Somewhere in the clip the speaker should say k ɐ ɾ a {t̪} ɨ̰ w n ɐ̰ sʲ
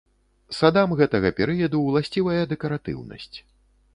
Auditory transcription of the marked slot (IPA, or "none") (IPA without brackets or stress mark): t̪